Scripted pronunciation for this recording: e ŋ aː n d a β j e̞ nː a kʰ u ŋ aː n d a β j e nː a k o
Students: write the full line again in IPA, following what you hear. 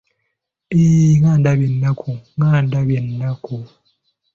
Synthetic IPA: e ŋ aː n d a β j e̞ nː a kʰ u ŋ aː n d a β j e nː a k u